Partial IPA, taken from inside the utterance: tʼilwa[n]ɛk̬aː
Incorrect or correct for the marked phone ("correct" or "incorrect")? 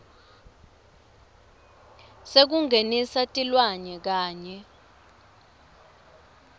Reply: incorrect